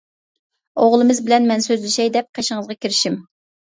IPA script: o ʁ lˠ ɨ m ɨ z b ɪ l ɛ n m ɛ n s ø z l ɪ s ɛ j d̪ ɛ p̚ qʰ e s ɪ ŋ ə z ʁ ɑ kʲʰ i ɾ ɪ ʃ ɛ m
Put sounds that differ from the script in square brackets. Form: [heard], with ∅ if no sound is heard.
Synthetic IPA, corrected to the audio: o ʁ lˠ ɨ m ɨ z b ɪ l ɛ n m ɛ n s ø z l ɪ [ʃ] ɛ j d̪ ɛ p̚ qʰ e [ʃ] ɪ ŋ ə z ʁ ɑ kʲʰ i ɾ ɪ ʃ [i] m